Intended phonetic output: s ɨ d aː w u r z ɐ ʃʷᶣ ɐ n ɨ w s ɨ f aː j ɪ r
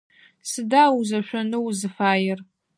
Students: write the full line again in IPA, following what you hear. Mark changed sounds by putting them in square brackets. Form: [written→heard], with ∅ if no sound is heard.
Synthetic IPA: s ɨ d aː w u [r→∅] z ɐ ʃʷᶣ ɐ n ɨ w [s→z] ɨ f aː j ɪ r